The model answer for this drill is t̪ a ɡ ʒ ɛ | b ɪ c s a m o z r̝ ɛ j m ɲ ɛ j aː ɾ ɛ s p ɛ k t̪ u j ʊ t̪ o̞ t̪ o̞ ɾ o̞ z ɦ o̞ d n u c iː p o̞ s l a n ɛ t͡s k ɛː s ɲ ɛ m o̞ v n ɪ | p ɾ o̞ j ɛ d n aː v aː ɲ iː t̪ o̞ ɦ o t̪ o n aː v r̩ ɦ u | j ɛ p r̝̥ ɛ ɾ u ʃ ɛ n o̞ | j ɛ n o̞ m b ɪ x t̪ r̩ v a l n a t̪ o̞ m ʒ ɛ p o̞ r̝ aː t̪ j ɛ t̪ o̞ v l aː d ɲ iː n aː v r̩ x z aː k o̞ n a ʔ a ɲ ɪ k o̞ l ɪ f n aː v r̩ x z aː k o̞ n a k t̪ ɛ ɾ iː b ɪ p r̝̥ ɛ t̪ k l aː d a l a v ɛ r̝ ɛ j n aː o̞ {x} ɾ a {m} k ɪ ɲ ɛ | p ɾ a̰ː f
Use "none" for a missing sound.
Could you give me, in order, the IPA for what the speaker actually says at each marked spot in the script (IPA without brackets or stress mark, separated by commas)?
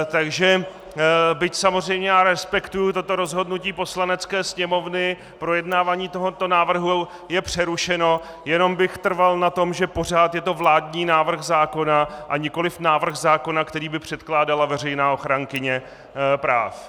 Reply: x, ŋ